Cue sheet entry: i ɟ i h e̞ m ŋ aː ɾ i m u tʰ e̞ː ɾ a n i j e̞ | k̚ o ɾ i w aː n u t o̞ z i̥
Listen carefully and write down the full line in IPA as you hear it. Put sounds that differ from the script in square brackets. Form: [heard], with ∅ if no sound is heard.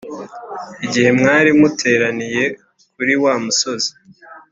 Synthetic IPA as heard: i ɟ i h e̞ m ŋ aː ɾ i m u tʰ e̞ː ɾ a n i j e̞ | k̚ [u] ɾ i w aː [m] u [s] o̞ z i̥

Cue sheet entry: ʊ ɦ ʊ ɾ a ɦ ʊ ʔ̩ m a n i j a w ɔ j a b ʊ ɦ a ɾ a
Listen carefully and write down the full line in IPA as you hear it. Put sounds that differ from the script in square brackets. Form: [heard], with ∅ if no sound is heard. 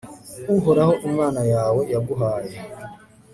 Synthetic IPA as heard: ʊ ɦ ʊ ɾ a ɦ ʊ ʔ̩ m a n [a] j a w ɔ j a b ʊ ɦ a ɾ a

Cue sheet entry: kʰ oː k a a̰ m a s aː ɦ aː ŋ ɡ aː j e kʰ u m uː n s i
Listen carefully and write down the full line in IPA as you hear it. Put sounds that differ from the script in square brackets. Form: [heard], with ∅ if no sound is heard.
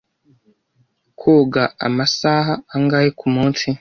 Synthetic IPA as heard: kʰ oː [ɡ] a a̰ m a s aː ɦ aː ŋ ɡ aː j e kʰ u m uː n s i

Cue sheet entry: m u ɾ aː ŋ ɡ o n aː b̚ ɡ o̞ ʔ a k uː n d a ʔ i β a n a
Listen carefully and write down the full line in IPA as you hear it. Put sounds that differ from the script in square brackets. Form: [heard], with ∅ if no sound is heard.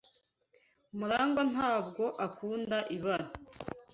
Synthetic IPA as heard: m u ɾ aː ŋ ɡ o n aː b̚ ɡ o̞ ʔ a k uː n d a ʔ i β a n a

